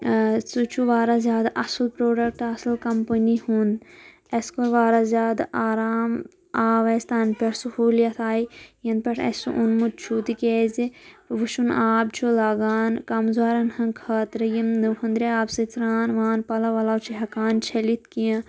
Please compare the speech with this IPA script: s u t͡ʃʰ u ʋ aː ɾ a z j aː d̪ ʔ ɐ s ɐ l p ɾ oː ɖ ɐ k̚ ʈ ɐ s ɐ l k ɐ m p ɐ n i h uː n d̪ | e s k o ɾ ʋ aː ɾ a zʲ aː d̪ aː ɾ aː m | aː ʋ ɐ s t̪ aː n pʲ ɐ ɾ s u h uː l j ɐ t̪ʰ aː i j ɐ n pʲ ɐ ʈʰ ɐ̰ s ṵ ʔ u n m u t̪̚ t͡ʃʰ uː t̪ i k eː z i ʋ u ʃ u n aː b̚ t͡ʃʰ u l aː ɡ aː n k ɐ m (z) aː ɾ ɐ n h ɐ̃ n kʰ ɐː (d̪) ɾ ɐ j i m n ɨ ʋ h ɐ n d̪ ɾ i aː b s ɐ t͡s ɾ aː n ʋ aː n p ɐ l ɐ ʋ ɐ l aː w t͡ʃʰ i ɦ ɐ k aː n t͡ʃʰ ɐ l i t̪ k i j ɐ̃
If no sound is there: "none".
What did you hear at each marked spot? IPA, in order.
z, t̪

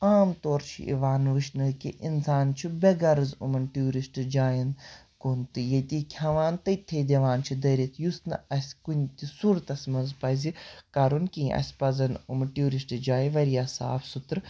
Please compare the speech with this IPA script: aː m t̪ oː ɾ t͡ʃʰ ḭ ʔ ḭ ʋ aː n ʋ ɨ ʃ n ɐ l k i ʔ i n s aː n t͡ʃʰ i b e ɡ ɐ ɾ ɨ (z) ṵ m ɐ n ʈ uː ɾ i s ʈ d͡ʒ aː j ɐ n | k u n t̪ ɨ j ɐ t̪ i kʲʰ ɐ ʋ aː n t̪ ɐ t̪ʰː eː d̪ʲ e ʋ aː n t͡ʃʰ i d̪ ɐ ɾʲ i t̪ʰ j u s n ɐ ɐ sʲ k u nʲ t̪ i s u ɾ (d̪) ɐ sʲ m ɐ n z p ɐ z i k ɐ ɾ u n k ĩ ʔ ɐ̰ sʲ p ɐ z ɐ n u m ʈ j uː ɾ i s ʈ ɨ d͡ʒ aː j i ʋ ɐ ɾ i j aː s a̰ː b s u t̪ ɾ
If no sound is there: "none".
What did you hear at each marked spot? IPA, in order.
z, t̪

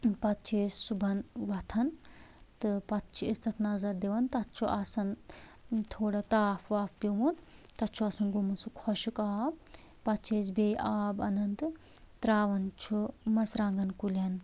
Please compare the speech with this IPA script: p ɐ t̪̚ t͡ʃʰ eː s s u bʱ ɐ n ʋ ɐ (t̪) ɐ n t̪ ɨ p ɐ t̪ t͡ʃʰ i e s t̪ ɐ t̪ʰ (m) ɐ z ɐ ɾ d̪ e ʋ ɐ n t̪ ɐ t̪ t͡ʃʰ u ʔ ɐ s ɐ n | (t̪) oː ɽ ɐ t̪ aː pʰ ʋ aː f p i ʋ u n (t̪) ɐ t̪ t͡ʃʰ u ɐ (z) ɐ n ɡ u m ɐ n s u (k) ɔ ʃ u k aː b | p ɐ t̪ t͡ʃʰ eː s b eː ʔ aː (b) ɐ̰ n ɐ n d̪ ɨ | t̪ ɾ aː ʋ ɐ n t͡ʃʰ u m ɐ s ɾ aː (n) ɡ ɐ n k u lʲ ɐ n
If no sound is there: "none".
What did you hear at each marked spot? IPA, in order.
t̪ʰ, n, t̪ʰ, t̪, s, kʰ, b, ŋ

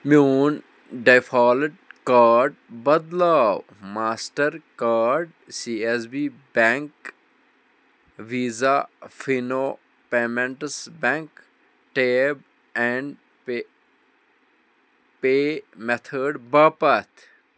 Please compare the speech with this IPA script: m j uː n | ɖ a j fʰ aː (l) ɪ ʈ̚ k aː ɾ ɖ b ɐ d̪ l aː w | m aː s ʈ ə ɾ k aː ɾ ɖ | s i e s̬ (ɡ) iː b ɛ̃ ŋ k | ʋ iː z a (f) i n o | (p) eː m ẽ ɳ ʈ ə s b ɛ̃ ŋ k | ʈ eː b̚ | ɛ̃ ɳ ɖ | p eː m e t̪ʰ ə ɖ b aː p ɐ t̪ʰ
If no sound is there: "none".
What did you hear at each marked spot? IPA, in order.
l, b, f, p

